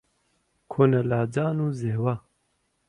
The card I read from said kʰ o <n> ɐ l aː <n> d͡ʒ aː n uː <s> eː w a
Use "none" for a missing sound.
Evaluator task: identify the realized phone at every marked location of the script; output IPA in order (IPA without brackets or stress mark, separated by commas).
n, none, z